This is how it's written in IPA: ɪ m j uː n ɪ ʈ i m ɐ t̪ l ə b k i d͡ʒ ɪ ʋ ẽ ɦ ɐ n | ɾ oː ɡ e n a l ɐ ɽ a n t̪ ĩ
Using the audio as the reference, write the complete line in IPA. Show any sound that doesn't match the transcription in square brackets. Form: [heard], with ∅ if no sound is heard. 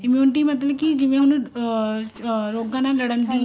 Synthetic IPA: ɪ m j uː n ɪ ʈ i m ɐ t̪ l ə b k i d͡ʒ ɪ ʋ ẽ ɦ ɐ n | ɾ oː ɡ [a] n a l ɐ ɽ [ə] n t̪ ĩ

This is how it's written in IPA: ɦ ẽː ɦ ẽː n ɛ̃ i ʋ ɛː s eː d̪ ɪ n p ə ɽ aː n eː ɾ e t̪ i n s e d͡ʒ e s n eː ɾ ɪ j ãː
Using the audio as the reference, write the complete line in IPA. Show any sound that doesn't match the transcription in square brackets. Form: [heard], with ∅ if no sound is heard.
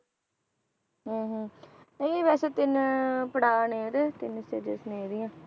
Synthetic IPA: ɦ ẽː ɦ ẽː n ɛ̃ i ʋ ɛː s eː [t̪] ɪ n p ə ɽ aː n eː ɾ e t̪ [ɪ] n s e d͡ʒ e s n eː ɾ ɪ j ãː

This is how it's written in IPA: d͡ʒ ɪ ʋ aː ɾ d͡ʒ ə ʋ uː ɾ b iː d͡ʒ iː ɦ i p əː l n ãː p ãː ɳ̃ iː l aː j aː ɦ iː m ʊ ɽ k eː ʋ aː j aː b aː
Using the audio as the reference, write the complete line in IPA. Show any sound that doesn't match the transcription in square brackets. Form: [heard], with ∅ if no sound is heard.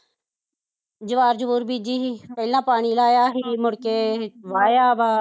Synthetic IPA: d͡ʒ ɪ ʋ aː ɾ d͡ʒ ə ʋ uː ɾ b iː d͡ʒ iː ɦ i p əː l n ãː p [aː] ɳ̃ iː l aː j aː ɦ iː m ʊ ɽ k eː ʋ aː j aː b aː

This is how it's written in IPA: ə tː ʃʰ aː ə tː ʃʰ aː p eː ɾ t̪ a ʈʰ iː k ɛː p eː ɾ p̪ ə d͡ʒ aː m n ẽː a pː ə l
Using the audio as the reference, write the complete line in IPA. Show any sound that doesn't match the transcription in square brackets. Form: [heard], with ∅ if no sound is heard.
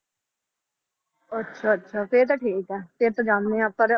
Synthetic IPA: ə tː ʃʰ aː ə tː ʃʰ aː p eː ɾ t̪ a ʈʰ iː k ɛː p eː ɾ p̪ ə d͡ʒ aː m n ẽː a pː ə [ɾ]

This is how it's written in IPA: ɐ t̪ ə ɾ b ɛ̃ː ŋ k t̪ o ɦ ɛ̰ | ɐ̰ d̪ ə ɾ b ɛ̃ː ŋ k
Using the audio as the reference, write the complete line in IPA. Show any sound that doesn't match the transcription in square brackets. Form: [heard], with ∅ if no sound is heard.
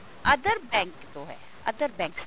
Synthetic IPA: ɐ [d̪] ə ɾ b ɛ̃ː ŋ k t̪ o ɦ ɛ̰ | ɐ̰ d̪ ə ɾ b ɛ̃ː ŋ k

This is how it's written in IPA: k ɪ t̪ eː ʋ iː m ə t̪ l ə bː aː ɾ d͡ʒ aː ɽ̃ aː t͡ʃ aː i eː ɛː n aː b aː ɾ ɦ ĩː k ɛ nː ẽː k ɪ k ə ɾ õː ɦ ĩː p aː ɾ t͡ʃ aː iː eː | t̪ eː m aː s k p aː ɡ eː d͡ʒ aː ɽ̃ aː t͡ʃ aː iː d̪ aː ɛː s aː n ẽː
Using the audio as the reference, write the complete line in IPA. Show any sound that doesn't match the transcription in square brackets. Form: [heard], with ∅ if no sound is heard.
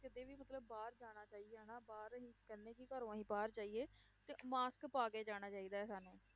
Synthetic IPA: k ɪ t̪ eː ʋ iː m ə t̪ l ə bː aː ɾ d͡ʒ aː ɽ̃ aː t͡ʃ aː i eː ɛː n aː b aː ɾ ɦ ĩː k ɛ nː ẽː k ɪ k ə ɾ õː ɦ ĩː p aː ɾ t͡ʃ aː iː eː | t̪ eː m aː s k p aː ɡ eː d͡ʒ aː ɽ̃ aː t͡ʃ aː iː d̪ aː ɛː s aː n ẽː

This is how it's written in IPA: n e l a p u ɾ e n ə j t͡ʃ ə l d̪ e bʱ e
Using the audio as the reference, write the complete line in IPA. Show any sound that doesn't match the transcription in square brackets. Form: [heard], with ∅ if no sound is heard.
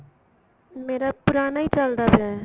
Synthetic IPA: [m] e [ɾ] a p u ɾ [a] n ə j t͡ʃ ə l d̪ [a] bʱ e

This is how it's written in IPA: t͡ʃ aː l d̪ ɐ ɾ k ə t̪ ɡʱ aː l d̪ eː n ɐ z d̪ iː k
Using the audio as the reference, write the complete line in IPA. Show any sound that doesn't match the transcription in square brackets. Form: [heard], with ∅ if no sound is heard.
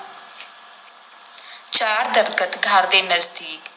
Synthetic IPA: t͡ʃ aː [ɾ] d̪ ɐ ɾ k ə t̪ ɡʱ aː [ɾ] d̪ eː n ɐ z d̪ iː k

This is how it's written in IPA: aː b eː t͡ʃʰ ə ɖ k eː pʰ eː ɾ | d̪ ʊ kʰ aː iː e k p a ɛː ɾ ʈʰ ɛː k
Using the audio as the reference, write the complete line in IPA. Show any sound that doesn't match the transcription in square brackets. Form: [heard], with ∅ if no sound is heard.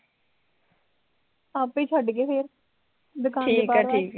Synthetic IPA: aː [p] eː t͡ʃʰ ə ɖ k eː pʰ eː ɾ | d̪ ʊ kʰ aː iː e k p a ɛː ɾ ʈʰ [iː] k

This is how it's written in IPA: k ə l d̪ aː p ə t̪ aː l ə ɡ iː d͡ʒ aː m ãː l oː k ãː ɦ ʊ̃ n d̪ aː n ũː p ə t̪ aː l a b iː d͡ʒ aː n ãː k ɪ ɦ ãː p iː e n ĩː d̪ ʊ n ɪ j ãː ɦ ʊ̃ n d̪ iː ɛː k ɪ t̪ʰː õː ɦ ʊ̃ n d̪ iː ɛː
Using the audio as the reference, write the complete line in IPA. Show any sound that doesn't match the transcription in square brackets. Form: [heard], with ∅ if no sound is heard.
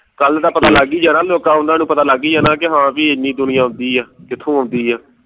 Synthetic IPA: k ə l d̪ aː p ə t̪ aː l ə ɡ iː d͡ʒ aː [n] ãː l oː k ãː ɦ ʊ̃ n d̪ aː n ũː p ə t̪ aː l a [ɡ] iː d͡ʒ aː n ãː k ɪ ɦ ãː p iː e n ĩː d̪ ʊ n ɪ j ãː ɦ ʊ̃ n d̪ iː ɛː k ɪ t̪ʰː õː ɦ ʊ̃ n d̪ iː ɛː

